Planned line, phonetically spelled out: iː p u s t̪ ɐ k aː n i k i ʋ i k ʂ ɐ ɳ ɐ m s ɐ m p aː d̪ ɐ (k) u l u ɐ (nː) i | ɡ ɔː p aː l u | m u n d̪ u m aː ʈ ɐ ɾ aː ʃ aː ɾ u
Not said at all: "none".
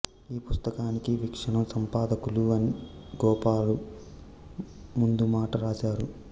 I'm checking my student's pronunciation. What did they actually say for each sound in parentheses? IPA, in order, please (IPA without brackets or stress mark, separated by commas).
k, n